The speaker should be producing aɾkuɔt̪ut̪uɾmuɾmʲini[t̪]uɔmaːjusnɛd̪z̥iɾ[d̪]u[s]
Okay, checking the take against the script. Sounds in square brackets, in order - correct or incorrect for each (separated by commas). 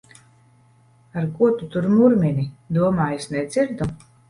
incorrect, correct, incorrect